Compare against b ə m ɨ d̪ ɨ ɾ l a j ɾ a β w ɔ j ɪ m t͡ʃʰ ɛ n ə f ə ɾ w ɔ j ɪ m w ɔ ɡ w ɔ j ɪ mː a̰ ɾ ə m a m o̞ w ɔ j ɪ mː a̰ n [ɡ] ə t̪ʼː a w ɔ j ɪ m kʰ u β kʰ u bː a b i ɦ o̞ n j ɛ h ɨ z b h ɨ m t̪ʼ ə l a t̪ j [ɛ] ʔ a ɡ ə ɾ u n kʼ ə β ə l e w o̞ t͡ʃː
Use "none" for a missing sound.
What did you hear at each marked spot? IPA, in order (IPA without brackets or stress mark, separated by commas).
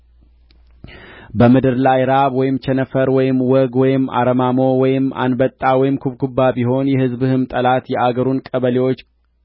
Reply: b, ɛ